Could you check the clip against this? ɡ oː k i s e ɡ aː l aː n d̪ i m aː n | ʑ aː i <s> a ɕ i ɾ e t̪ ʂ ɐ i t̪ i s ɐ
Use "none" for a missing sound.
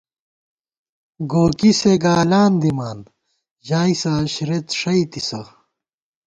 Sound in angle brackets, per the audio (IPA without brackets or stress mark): s